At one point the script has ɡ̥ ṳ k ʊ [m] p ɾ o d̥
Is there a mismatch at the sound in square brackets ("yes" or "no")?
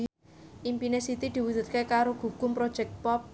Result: no